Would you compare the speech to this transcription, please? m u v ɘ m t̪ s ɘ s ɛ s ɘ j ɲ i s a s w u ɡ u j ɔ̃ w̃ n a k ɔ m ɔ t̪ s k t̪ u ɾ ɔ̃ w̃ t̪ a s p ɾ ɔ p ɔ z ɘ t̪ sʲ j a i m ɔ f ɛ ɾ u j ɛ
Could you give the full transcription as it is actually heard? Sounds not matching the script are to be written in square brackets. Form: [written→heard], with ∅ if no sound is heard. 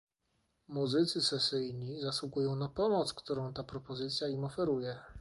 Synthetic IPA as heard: m u [v→z] ɘ [m→∅] t̪ s ɘ s ɛ s ɘ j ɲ i [s→z] a s w u ɡ u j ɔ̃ w̃ n a [k→p] ɔ m ɔ t̪ s k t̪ u ɾ ɔ̃ w̃ t̪ a [s→∅] p ɾ ɔ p ɔ z ɘ t̪ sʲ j a i m ɔ f ɛ ɾ u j ɛ